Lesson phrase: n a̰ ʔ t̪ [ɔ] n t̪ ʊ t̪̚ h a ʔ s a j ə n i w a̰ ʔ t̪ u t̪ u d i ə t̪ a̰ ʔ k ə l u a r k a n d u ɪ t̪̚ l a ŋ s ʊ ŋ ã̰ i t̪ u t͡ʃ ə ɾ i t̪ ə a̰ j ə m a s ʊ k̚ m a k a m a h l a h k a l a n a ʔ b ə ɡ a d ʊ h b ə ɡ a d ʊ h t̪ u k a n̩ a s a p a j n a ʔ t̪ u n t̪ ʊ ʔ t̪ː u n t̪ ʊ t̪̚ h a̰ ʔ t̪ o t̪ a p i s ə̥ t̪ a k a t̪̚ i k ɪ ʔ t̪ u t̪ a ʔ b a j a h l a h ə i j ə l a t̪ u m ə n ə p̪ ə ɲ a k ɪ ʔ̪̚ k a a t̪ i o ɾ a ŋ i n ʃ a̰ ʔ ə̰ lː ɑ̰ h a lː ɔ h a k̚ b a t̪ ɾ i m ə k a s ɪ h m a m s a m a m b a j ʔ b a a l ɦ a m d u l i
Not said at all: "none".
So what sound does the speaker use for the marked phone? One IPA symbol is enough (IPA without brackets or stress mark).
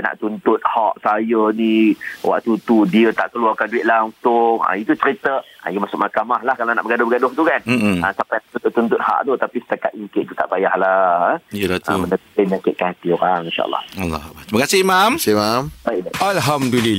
u